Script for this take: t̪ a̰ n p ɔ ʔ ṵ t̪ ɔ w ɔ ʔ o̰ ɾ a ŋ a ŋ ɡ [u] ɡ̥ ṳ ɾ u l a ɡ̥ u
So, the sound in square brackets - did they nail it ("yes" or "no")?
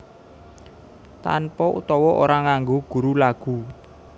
no